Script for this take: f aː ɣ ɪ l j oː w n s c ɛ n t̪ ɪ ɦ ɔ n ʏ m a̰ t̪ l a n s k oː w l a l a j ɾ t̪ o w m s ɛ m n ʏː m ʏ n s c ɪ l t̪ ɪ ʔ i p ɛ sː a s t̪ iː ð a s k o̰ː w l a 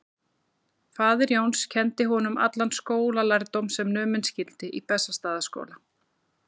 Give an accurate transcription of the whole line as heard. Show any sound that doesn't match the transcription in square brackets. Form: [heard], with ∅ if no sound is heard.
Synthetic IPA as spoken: f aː [ð] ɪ [ɾ] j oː w n s [cʰ] ɛ n t̪ ɪ ɦ ɔ n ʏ m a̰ t̪ l a n s k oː w l a l a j ɾ t̪ o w m s ɛ m n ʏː m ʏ n s c ɪ l t̪ ɪ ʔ i p ɛ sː a s t̪ [aː] ð a s k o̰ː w l a